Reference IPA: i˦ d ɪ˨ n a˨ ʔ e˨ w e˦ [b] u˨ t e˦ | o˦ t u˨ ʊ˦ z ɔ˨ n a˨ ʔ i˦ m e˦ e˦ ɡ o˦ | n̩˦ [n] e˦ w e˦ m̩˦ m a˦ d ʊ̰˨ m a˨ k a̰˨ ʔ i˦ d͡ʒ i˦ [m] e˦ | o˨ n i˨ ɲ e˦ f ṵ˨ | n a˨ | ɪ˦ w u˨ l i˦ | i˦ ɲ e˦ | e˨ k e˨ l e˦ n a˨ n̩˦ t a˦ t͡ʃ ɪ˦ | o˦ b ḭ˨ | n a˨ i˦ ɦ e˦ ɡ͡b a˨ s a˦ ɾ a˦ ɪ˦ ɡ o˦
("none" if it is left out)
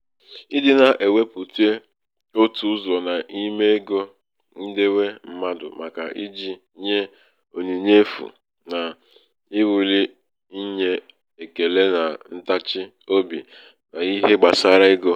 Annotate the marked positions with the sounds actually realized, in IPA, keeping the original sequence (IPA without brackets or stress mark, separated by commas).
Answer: p, d, ɲ